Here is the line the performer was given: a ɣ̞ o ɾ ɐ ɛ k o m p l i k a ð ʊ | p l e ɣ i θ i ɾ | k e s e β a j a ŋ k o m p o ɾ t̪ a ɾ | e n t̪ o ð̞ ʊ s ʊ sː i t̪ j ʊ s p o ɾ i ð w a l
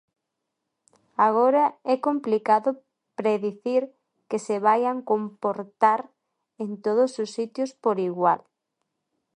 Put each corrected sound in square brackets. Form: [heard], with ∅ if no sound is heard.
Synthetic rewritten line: a ɣ̞ o ɾ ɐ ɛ k o m p l i k a ð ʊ | p [ɾ] e [ð] i θ i ɾ | k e s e β a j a ŋ k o m p o ɾ t̪ a ɾ | e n t̪ o ð̞ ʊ s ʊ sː i t̪ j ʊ s p o ɾ i [ɣ] w a l

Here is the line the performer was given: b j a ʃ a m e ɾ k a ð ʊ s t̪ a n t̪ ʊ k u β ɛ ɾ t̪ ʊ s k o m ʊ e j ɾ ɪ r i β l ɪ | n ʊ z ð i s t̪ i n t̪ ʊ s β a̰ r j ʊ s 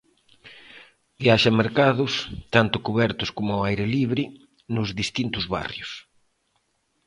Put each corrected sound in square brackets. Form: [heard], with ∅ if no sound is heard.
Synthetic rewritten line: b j a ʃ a m e ɾ k a ð ʊ s t̪ a n t̪ ʊ k u β ɛ ɾ t̪ ʊ s k o m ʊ [a] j ɾ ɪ [l] i β [ɾ] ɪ | n ʊ z ð i s t̪ i n t̪ ʊ [z] β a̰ r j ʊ s

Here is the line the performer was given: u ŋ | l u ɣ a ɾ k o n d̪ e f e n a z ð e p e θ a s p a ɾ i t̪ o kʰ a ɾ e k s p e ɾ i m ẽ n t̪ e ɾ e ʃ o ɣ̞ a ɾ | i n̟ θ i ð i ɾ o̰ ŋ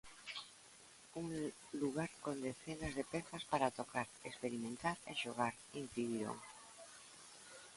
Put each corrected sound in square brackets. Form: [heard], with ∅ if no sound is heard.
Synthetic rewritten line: u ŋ | l u ɣ a ɾ k o n d̪ e [θ] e n a z ð e p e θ a s p a ɾ [a] t̪ o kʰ a ɾ e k s p e ɾ i m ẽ n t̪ [a] ɾ e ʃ o ɣ̞ a ɾ | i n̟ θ i ð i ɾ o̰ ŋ

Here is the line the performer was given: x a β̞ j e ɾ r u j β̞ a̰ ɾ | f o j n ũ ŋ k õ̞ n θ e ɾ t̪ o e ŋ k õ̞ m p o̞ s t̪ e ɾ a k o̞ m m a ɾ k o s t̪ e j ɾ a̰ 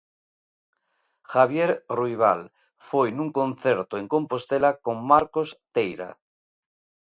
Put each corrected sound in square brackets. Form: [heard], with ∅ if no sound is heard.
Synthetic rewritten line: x a β̞ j e ɾ r u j β̞ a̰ [l] | f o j n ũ ŋ k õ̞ n θ e ɾ t̪ o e ŋ k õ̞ m p o̞ s t̪ e [l] a k o̞ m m a ɾ k o s t̪ e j ɾ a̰

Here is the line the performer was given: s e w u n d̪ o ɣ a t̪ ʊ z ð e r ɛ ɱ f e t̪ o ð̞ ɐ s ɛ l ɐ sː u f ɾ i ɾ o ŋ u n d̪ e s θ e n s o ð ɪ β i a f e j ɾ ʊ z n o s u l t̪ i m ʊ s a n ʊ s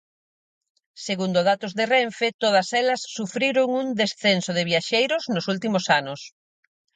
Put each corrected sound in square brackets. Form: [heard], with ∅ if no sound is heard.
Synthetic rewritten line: s e [ɣ] u n d̪ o [ð] a t̪ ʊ z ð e r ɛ ɱ f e t̪ o ð̞ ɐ s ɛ l ɐ sː u f ɾ i ɾ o ŋ u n d̪ e s θ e n s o ð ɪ β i a [ʃ] e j ɾ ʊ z n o s u l t̪ i m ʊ s a n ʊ s

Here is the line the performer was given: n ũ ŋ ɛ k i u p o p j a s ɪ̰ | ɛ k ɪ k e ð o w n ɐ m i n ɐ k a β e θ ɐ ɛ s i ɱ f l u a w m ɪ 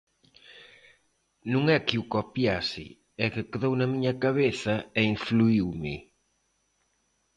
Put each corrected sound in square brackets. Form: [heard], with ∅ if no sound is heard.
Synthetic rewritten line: n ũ ŋ ɛ k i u [k] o p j a s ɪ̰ | ɛ k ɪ k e ð o w n ɐ m i [ɲ] ɐ k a β e θ ɐ ɛ [∅] i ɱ f l u [i] w m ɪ

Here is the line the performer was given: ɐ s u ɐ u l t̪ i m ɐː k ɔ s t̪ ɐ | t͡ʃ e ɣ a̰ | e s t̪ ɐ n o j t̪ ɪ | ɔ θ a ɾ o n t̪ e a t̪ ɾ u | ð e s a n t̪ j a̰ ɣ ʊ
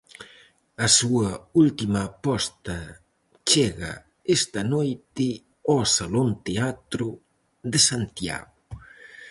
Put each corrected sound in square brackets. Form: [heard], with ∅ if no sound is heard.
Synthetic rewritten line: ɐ s u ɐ u l t̪ i m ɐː [p] ɔ s t̪ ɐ | t͡ʃ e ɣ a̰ | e s t̪ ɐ n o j t̪ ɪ | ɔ [s] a [l] o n t̪ e a t̪ ɾ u | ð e s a n t̪ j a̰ ɣ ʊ

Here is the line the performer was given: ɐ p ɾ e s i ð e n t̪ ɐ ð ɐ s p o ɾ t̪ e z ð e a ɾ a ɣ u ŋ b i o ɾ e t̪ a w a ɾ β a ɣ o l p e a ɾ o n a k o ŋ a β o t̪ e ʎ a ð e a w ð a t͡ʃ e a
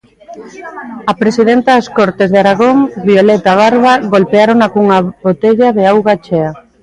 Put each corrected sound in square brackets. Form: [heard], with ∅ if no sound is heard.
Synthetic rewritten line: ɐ p ɾ e s i ð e n t̪ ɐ ð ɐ s [k] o ɾ t̪ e z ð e a ɾ a ɣ [o] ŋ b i o [l] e t̪ a [β] a ɾ β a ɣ o l p e a ɾ o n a k [u] ŋ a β o t̪ e ʎ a ð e a w [ɣ] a t͡ʃ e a

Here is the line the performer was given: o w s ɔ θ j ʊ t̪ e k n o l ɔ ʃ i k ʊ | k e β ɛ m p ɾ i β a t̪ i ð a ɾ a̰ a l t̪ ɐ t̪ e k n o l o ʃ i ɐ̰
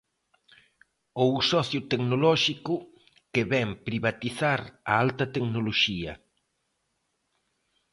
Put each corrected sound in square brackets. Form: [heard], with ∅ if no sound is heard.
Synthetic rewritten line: o w s ɔ θ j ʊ t̪ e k n o l ɔ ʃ i k ʊ | k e β ɛ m p ɾ i β a t̪ i [θ] a ɾ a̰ a l t̪ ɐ t̪ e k n o l o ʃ i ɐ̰

